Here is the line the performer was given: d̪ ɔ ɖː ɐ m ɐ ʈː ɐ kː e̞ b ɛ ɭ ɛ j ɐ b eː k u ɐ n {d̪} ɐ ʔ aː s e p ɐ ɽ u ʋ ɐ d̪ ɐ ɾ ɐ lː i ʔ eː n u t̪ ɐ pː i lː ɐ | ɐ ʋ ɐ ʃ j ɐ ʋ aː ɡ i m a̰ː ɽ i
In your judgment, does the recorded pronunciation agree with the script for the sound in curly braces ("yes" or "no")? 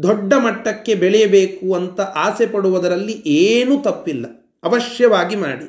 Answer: no